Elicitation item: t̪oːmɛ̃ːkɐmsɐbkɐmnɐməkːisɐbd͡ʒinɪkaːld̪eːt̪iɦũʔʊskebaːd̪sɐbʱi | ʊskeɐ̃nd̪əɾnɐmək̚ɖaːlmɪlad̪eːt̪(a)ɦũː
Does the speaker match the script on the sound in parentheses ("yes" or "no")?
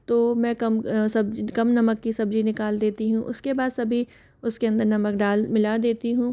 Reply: no